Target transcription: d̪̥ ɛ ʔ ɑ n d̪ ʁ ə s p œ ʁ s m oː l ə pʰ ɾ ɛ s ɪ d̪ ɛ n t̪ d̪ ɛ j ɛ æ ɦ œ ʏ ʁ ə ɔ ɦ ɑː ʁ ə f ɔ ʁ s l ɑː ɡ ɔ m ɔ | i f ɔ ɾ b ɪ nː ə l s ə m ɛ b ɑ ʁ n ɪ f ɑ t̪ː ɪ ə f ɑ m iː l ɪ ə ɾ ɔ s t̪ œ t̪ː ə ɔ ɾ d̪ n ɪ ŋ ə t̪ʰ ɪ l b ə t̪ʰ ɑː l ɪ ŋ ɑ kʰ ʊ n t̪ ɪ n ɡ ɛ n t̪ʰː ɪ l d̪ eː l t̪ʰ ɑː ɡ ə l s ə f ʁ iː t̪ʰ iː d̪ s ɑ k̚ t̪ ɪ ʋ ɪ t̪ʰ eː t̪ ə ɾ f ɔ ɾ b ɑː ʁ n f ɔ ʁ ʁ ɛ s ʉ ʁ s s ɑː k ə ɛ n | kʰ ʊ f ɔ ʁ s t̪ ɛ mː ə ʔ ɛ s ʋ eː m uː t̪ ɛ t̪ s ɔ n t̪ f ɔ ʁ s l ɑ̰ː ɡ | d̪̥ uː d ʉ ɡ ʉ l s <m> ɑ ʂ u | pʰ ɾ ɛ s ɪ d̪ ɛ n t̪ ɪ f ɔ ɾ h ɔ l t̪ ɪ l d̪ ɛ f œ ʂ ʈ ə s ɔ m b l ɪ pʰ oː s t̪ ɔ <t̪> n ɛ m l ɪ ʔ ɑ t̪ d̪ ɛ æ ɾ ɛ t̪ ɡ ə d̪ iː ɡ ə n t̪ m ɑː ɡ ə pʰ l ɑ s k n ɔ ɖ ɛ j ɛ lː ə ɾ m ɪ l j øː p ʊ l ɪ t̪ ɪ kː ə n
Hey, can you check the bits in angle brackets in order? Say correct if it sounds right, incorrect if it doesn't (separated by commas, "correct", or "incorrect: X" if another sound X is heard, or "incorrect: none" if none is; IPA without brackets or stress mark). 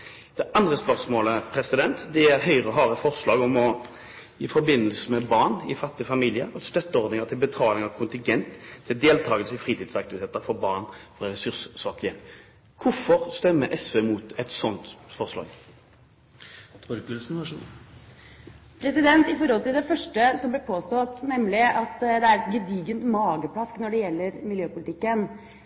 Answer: incorrect: n, correct